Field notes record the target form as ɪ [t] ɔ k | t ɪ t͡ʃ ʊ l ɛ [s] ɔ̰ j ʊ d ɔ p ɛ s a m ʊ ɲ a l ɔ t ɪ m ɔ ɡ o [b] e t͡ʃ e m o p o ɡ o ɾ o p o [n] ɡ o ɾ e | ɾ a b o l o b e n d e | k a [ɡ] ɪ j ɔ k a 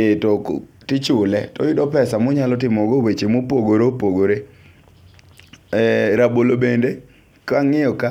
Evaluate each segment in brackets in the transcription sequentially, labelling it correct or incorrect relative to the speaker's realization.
correct, incorrect: t, incorrect: w, incorrect: none, incorrect: ŋ

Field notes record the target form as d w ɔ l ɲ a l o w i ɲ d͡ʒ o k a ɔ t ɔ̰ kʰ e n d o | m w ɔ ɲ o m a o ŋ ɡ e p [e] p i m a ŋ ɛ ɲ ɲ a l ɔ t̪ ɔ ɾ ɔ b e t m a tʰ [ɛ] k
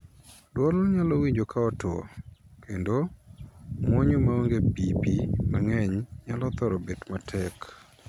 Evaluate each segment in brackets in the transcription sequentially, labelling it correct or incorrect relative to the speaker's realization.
incorrect: i, correct

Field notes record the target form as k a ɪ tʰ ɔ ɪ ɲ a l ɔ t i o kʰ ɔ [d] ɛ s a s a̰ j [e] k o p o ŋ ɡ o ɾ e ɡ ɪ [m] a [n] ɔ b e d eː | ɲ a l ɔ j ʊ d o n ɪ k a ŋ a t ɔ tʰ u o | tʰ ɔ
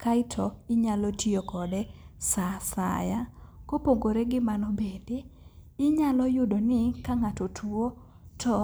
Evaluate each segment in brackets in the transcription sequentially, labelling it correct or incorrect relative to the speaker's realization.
correct, incorrect: a, correct, correct

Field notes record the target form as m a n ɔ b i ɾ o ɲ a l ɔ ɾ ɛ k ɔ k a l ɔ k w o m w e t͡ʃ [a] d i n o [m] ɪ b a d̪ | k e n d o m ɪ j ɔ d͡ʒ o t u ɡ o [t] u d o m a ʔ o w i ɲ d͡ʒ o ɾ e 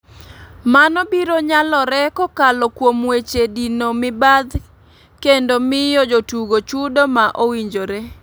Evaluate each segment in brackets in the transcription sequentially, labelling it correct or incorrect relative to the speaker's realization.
incorrect: e, correct, incorrect: t͡ʃ

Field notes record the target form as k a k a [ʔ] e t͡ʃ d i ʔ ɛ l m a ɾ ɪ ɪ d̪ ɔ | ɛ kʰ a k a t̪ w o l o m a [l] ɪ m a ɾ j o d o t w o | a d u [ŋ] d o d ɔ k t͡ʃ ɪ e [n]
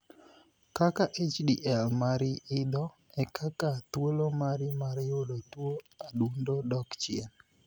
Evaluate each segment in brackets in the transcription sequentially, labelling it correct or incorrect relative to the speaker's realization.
correct, incorrect: ɾ, incorrect: n, correct

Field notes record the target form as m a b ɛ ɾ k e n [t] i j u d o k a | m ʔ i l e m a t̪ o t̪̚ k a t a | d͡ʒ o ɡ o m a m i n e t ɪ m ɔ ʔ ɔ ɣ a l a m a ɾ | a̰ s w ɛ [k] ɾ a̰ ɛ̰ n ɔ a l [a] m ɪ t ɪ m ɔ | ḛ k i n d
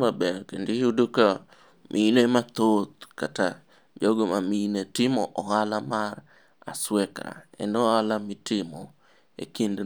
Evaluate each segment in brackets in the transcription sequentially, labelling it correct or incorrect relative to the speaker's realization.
incorrect: d, correct, correct

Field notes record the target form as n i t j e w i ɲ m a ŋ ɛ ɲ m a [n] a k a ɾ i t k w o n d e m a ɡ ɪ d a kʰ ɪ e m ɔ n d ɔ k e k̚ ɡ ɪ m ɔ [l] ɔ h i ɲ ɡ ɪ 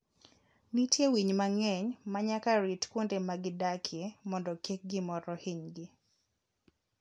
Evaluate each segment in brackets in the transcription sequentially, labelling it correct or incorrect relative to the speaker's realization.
incorrect: ɲ, incorrect: ɾ

